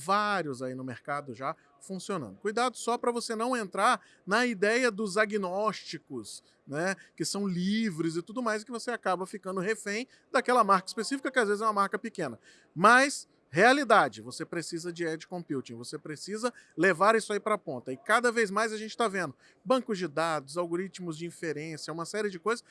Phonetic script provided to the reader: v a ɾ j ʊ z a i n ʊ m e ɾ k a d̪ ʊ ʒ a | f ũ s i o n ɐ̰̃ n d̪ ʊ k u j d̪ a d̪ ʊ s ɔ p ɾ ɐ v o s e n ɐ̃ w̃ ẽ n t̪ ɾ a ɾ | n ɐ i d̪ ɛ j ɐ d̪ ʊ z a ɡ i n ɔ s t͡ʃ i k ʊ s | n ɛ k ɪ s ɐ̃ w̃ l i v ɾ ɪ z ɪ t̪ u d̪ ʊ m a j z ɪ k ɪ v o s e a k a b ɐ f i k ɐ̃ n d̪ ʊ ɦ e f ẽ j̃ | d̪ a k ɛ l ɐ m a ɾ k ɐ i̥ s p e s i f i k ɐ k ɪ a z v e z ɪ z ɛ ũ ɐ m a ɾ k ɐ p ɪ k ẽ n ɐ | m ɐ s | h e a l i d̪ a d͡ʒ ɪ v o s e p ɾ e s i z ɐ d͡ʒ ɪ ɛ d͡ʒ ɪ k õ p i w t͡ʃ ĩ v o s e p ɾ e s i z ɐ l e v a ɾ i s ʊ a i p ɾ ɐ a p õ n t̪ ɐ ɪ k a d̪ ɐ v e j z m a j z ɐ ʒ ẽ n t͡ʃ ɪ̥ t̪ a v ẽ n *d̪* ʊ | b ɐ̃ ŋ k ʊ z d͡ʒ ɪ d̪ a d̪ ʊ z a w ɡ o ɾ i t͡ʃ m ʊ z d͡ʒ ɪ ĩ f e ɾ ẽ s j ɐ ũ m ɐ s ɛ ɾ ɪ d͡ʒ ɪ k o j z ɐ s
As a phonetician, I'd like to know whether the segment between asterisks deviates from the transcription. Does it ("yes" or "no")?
no